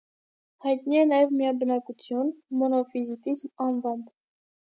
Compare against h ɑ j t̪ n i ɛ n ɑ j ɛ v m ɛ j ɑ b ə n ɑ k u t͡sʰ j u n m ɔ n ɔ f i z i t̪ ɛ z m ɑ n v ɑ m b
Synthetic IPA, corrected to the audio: h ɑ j t̪ n i ɛ n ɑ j ɛ v m i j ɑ b ə n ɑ k u t͡sʰ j u n m ɔ n ɔ f i z i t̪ i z m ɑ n v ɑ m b